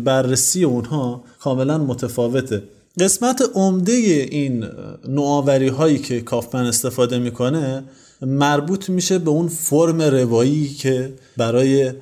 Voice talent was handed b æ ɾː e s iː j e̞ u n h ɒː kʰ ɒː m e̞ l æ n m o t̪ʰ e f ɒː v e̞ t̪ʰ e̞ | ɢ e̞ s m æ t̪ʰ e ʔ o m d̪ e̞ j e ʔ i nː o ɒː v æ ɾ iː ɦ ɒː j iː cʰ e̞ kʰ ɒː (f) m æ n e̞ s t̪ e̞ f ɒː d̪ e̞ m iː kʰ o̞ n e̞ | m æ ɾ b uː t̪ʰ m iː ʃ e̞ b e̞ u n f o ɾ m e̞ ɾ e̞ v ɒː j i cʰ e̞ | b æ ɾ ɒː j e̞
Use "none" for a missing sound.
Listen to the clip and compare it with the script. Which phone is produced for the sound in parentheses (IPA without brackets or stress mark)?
f